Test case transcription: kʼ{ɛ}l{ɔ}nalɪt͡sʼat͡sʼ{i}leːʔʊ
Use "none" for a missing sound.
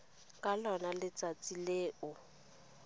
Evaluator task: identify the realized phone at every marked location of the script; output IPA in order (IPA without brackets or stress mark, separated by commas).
a, ɔ, i